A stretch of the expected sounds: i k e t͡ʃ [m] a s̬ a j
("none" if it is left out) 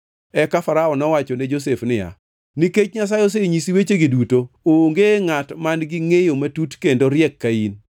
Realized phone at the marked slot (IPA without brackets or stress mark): ɲ